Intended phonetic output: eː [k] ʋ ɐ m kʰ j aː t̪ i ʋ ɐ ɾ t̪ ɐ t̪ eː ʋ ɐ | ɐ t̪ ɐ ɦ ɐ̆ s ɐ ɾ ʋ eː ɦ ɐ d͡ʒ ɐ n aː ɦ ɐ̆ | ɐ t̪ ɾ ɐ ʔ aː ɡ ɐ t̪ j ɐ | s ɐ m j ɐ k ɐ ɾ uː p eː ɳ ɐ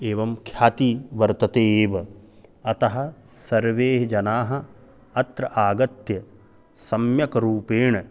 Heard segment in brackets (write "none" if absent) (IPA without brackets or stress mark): none